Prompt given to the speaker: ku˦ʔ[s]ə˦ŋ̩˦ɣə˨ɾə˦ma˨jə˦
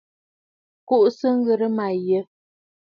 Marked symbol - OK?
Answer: yes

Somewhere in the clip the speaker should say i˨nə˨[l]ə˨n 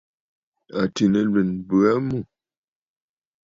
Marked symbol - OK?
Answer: yes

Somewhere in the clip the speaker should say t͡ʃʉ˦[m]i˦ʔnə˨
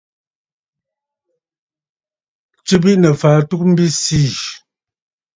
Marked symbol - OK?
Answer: no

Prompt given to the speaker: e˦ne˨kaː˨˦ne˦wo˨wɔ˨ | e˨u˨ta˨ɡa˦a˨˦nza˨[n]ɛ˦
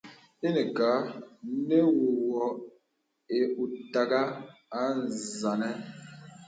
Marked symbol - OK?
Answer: yes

